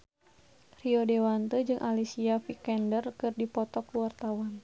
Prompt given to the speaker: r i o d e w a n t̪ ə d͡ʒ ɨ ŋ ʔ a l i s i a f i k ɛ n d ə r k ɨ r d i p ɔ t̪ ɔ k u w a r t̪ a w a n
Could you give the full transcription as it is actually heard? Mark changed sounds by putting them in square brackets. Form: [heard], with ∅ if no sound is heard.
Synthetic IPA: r i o d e w a n t̪ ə d͡ʒ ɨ ŋ ʔ a l i s i a f i k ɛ n d ə r k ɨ r d i p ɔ t̪ ɔ k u w a r t̪ a w a n